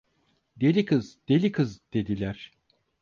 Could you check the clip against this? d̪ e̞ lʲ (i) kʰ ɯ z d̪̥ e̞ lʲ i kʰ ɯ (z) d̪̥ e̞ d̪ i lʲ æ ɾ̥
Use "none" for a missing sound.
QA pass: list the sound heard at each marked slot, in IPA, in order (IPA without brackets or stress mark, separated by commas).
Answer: i, z